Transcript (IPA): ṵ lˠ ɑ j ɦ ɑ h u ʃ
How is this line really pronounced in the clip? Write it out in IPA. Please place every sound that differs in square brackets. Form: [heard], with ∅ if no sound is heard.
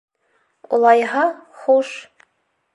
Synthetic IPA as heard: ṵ lˠ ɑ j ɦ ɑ [χ] u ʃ